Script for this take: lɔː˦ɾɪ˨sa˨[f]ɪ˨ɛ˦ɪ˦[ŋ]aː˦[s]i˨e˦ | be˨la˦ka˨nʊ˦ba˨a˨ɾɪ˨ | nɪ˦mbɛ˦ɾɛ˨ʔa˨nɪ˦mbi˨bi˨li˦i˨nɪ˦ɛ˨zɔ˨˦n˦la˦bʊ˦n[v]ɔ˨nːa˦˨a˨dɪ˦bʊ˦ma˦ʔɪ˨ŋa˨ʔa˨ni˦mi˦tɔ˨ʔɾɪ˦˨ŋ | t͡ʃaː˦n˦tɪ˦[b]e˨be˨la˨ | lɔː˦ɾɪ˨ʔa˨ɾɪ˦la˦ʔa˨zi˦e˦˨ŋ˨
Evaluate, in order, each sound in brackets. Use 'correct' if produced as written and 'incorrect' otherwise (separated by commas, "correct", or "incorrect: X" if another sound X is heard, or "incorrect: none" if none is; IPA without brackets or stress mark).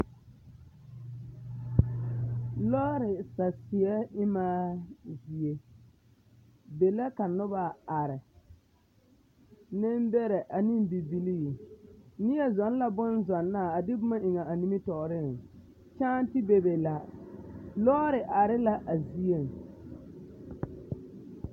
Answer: incorrect: s, incorrect: m, incorrect: z, incorrect: z, correct